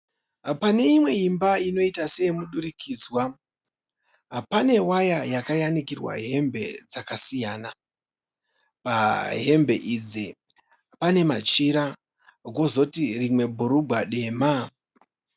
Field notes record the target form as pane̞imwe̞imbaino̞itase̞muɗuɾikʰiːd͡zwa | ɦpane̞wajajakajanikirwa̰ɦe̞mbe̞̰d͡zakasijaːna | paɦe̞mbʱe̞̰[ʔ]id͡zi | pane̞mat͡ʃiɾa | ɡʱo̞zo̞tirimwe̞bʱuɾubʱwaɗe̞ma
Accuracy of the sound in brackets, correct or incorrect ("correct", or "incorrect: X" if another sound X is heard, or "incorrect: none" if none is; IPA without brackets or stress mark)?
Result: correct